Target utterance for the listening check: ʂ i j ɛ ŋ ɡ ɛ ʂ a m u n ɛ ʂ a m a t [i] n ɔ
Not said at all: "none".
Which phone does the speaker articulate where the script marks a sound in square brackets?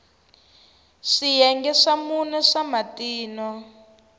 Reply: iː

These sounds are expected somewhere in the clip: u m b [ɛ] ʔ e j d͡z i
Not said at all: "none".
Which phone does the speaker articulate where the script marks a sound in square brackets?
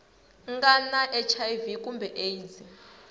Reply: ɛ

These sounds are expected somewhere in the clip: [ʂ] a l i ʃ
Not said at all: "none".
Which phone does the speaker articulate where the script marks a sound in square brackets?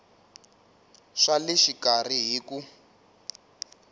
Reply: ʂ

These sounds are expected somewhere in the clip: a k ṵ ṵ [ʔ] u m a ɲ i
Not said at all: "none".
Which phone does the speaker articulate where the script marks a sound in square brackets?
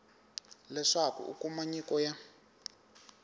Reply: k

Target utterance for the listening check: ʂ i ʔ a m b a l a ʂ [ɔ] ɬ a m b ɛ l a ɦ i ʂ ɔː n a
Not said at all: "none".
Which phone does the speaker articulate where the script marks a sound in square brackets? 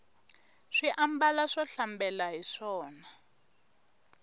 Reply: ɔ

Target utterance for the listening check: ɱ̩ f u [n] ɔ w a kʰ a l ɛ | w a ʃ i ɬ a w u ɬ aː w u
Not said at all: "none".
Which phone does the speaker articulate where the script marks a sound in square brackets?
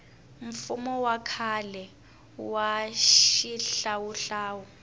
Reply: m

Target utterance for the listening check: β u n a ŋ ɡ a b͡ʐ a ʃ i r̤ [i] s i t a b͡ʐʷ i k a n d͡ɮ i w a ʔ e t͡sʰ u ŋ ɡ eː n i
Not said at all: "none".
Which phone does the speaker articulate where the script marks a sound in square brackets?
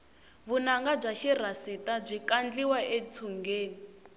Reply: a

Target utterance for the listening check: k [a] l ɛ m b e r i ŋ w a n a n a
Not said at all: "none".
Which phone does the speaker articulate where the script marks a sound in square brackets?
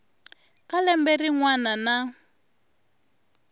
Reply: a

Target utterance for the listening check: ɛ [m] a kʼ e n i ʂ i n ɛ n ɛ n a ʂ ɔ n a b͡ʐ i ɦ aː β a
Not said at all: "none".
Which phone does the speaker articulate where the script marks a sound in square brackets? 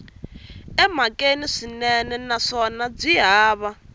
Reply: m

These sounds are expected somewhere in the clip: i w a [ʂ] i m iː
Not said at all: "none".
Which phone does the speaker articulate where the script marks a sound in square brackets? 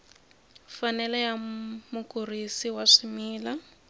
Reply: ʂ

